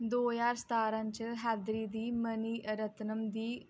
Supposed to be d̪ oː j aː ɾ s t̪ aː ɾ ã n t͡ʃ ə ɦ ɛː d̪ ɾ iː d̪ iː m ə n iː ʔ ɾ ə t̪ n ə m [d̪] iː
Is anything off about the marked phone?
no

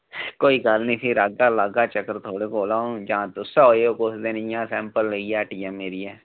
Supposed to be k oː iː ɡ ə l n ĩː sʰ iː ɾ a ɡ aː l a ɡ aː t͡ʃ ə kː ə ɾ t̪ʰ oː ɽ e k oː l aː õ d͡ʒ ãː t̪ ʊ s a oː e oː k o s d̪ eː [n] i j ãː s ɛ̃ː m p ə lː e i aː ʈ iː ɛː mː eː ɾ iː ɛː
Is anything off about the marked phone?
no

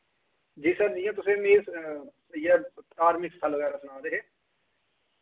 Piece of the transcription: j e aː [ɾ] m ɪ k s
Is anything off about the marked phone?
no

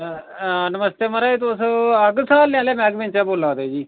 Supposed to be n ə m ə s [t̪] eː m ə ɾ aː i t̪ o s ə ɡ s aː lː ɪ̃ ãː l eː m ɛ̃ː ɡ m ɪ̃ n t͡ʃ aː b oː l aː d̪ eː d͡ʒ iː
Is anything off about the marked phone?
no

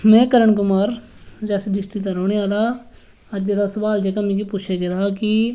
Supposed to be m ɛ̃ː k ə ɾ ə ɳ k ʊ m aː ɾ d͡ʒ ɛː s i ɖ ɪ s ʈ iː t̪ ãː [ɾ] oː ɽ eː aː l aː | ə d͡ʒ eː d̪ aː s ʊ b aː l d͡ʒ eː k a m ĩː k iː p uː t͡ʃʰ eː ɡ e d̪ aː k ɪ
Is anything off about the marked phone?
no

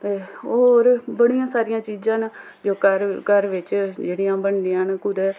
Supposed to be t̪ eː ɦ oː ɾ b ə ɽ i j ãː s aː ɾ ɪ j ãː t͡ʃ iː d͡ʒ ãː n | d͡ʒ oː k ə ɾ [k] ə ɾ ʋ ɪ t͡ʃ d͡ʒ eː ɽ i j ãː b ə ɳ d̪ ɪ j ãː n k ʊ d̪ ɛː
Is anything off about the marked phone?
no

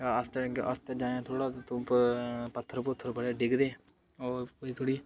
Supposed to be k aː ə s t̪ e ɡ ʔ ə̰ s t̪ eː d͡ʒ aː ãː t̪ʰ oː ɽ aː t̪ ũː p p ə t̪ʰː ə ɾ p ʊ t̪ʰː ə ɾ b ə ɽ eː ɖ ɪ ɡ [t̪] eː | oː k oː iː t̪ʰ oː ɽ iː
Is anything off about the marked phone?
yes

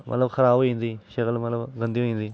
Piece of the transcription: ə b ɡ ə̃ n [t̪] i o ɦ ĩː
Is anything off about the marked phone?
yes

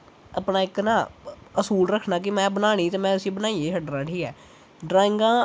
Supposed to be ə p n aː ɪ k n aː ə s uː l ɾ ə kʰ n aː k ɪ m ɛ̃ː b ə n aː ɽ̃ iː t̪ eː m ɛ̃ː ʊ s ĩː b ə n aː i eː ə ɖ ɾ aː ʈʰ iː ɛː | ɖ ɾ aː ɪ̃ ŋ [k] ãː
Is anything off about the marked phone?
yes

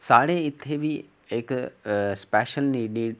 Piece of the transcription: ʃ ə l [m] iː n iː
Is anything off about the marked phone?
yes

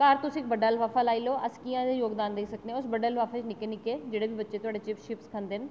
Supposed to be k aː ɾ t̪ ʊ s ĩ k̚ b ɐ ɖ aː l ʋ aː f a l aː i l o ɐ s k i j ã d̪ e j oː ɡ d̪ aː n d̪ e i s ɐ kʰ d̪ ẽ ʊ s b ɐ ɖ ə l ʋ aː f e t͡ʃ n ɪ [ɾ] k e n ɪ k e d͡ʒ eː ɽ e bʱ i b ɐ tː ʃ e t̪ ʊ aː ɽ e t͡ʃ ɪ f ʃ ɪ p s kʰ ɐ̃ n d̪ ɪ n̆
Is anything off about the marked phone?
yes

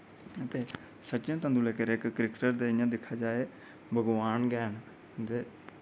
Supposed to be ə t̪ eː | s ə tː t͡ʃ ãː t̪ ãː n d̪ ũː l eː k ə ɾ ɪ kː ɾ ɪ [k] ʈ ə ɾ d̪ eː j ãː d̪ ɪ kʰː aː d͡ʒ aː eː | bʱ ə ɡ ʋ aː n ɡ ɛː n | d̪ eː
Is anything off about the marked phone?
no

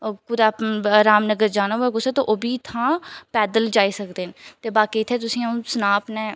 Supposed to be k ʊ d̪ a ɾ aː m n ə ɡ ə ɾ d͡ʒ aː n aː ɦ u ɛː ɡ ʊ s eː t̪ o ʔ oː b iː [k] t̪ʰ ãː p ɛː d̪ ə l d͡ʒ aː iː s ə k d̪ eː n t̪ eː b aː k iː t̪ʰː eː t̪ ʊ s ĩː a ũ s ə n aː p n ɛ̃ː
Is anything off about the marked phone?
yes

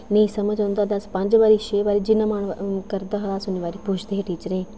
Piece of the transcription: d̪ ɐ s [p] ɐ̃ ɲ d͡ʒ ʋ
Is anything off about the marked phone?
no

